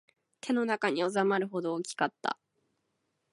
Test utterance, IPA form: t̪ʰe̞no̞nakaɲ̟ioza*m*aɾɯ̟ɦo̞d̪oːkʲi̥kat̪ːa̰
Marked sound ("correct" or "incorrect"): correct